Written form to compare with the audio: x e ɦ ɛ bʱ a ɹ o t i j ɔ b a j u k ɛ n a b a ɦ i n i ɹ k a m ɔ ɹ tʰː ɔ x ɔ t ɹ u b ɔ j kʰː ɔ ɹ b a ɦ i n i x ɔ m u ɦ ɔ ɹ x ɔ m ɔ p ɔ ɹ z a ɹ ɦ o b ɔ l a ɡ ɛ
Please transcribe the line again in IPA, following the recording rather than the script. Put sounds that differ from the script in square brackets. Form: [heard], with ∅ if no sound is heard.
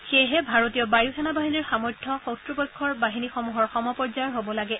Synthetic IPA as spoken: x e ɦ ɛ bʱ a ɹ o t i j ɔ b a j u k ɛ n a b a ɦ i n i ɹ [x] a m ɔ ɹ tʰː ɔ x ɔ t ɹ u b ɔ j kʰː ɔ ɹ b a ɦ i n i x ɔ m u ɦ ɔ ɹ x ɔ m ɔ p ɔ ɹ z a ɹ ɦ o b ɔ l a ɡ ɛ

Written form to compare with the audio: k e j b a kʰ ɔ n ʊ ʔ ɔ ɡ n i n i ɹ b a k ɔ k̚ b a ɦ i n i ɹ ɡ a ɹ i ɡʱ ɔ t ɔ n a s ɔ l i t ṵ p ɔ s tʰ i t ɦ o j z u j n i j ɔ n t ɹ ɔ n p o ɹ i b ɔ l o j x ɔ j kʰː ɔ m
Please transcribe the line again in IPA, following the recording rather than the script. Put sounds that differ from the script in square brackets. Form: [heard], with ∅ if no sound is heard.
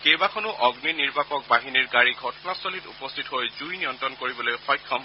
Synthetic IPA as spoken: k e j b a kʰ ɔ n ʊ ʔ ɔ ɡ n i n i ɹ b a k ɔ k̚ b a ɦ i n i ɹ ɡ a ɹ i ɡʱ ɔ t ɔ n a s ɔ l i t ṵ p ɔ s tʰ i t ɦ o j z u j n i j ɔ n t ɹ ɔ n [k] o ɹ i b ɔ l o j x ɔ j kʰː ɔ m

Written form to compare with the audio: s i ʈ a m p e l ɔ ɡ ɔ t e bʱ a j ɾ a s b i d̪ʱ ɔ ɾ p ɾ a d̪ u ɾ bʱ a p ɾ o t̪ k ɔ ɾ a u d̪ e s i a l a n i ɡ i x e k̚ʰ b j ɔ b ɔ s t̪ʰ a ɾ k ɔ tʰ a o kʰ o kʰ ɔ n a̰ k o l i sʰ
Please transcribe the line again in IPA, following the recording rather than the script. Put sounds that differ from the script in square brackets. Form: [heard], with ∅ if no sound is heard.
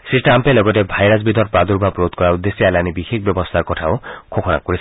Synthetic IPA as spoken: s i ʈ a m p e l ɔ ɡ ɔ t e bʱ a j ɾ a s b i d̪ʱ ɔ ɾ p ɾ a d̪ u ɾ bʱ a p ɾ o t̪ k ɔ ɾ a u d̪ e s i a l a n i [b] i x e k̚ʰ b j ɔ b ɔ s t̪ʰ a ɾ k ɔ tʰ a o kʰ o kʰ ɔ n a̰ k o [ɾ] i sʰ

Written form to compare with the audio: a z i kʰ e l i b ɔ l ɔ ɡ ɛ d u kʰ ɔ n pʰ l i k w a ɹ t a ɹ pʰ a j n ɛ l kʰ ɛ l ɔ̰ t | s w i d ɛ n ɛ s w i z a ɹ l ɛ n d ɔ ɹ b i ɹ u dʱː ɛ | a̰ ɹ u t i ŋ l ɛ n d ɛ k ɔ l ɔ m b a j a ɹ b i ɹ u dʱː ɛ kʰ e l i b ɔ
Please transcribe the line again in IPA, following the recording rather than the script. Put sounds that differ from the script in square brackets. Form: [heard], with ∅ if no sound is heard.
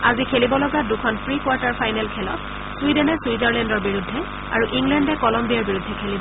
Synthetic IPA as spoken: a z i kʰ e l i b ɔ l ɔ ɡ [a] d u kʰ ɔ n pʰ [ɹ] i k w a ɹ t a ɹ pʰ a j n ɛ l kʰ ɛ l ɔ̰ t | s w i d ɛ n ɛ s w i z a ɹ l ɛ n d ɔ ɹ b i ɹ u dʱː ɛ | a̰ ɹ u [ʔ] i ŋ l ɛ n d ɛ k ɔ l ɔ m b [i] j a ɹ b i ɹ u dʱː ɛ kʰ e l i b ɔ

